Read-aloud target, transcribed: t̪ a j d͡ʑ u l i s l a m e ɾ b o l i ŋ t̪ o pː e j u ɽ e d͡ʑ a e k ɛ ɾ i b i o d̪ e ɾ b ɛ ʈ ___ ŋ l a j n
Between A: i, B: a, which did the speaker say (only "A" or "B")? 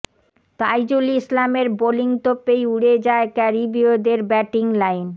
A